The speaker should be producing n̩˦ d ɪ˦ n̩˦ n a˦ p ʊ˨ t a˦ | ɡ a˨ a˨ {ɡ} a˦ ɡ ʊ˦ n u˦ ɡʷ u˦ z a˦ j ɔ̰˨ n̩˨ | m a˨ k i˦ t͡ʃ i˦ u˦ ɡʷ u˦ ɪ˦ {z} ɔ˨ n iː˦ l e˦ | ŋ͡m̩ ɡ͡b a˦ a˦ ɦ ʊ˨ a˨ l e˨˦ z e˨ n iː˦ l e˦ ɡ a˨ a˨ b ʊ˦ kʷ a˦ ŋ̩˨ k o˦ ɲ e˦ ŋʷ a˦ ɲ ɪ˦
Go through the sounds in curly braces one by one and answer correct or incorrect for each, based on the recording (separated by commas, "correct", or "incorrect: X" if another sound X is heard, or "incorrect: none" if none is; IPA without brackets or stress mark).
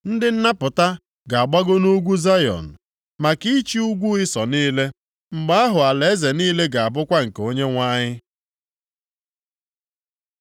incorrect: ɡ͡b, incorrect: s